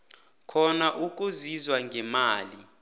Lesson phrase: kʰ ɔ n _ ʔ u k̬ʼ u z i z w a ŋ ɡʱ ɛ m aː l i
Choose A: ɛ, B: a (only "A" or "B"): B